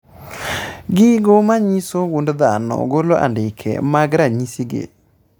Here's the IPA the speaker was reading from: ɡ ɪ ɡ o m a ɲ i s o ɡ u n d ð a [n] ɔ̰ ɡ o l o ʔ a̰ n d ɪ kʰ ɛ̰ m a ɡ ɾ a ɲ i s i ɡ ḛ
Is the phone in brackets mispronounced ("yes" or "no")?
no